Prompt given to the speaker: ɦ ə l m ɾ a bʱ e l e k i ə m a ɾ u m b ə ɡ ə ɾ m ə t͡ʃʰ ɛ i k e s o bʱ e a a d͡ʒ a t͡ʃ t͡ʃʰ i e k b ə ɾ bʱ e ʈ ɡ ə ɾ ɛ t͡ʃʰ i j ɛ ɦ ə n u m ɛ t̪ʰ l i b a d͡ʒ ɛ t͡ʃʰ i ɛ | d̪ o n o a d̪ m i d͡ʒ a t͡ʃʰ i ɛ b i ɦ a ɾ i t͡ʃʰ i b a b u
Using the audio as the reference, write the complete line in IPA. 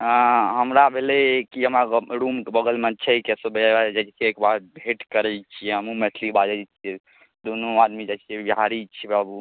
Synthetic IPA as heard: ɦ ə m ɾ a bʱ e l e k i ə m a ɾ u m b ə ɡ ə l m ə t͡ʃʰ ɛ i k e s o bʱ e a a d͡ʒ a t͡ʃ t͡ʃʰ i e k b a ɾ bʱ e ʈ k ə ɾ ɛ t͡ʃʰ i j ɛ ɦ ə m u m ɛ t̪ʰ l i b a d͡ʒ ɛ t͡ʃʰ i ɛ | d̪ o n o a d̪ m i d͡ʒ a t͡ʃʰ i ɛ b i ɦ a ɾ i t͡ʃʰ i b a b u